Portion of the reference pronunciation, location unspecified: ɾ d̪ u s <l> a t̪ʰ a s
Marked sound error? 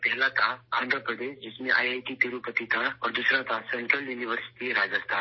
yes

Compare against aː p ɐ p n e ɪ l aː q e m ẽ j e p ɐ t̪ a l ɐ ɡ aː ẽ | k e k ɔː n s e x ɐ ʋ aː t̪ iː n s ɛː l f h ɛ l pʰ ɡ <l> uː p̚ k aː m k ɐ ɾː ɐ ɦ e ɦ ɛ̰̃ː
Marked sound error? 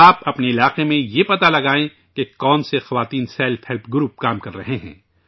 yes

